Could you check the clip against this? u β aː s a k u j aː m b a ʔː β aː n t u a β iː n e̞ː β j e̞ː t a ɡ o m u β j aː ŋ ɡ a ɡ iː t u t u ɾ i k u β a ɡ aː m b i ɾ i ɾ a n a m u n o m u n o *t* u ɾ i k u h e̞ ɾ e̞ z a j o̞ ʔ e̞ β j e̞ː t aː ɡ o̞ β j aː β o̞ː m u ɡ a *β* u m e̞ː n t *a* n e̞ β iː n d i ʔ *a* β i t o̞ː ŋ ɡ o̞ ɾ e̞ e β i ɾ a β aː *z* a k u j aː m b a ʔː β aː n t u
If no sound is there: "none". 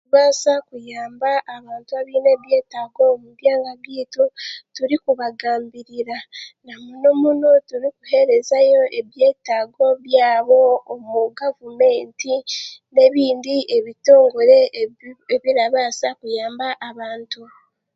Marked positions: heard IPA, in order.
t, v, i, e, s

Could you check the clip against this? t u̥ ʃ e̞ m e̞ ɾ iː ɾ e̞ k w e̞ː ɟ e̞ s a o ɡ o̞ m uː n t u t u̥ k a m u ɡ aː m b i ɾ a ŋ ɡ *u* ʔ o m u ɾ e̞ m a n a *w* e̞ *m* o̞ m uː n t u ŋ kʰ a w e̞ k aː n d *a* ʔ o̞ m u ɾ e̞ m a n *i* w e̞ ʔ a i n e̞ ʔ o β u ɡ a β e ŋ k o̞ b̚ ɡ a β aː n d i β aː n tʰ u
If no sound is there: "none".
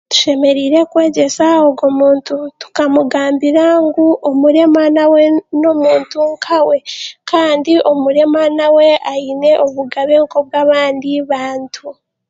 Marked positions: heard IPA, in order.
u, w, n, i, a

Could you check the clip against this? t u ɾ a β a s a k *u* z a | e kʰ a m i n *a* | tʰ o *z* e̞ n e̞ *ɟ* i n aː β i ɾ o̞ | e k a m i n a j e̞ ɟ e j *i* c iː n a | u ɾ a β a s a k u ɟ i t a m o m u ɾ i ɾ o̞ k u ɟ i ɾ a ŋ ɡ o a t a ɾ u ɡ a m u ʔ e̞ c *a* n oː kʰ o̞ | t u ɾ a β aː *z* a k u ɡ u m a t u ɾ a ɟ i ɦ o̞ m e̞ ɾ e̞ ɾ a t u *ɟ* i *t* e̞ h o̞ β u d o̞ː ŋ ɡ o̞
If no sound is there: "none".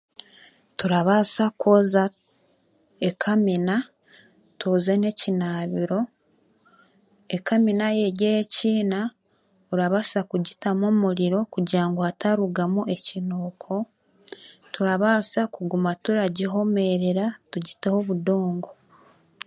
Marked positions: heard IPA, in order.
o, a, z, c, e, i, s, ɟ, t

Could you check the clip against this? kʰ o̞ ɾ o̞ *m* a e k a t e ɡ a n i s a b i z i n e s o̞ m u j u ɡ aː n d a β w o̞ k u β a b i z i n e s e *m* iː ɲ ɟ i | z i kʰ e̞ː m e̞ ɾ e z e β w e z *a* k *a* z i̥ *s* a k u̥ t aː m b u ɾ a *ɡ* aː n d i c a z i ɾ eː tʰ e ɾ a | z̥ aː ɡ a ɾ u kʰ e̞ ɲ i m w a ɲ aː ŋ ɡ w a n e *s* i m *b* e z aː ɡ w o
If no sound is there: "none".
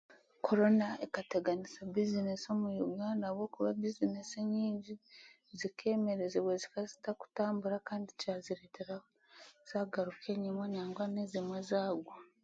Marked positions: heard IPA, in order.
n, ɲ, i, a, t, k, z, w

